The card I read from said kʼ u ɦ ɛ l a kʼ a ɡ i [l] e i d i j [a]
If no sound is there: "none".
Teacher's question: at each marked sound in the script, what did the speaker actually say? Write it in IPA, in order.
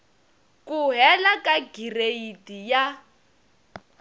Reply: r, a

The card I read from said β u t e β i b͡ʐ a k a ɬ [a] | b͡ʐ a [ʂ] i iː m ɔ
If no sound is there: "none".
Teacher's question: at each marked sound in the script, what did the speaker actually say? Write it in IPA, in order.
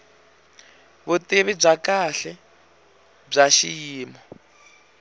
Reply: ɛ, ʃ

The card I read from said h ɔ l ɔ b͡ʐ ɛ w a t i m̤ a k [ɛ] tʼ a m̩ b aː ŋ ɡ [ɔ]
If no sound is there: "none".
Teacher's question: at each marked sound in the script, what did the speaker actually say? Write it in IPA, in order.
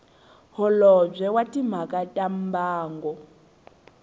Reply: a, ɔ

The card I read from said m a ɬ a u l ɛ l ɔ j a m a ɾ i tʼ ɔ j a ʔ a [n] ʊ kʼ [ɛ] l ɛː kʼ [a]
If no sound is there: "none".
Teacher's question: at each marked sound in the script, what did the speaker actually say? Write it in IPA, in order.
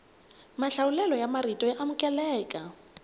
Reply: m, ɛ, a

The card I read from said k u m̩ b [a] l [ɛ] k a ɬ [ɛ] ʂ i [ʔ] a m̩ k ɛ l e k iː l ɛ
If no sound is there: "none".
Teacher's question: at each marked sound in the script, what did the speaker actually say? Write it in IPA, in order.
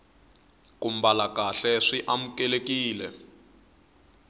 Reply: a, a, ɛ, ʔ

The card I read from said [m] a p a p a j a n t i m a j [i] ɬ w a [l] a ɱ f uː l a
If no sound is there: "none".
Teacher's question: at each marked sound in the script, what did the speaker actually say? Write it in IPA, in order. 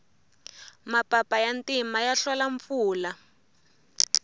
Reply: m, a, l

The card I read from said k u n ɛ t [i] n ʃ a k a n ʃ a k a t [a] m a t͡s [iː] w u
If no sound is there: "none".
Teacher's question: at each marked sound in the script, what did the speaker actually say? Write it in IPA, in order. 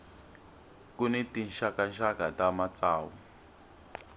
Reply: i, a, aː

